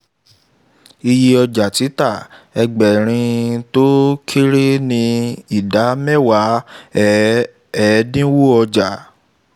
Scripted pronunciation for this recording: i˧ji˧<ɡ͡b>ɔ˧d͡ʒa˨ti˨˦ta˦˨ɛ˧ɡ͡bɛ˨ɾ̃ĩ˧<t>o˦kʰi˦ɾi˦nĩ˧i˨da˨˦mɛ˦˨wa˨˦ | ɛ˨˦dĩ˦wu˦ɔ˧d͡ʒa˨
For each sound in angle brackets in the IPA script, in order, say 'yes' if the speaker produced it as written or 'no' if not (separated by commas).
no, yes